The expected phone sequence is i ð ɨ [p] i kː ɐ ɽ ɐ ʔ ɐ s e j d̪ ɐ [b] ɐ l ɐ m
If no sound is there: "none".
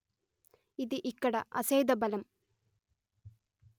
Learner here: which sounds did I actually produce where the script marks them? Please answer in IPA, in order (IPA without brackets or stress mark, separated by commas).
ʔ, b